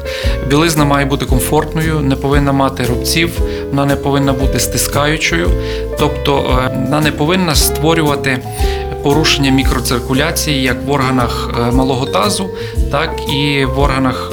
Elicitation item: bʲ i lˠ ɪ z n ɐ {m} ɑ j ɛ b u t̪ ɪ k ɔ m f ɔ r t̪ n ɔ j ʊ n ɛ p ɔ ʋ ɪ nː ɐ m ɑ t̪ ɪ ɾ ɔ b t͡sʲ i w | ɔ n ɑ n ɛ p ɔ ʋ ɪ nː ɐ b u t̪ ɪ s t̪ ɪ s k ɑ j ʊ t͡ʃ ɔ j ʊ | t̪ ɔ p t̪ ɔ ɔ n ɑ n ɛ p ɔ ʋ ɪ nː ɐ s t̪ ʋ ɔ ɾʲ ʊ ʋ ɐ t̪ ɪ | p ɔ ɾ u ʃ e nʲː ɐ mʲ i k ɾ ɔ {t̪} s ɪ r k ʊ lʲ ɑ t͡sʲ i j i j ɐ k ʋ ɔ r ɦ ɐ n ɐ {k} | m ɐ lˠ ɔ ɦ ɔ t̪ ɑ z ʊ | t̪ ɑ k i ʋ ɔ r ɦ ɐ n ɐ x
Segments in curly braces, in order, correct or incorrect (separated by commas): correct, correct, incorrect